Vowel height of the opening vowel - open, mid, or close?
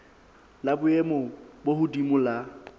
open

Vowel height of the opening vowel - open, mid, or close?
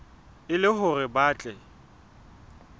close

